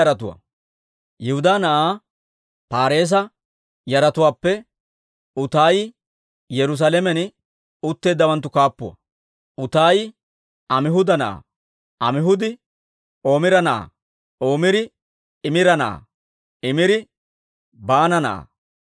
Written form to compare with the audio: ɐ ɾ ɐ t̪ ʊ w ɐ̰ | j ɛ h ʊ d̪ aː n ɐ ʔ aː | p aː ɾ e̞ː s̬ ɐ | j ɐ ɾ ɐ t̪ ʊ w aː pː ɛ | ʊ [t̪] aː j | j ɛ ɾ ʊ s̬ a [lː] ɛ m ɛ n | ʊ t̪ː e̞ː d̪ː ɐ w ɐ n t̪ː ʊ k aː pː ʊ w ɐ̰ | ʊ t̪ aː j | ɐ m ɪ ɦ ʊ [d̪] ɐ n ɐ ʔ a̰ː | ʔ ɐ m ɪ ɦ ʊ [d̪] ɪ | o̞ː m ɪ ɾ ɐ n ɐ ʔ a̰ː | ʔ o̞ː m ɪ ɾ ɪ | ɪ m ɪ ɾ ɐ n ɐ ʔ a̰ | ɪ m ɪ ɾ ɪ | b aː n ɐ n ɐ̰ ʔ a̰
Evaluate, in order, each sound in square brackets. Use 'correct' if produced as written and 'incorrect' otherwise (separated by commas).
correct, incorrect, correct, correct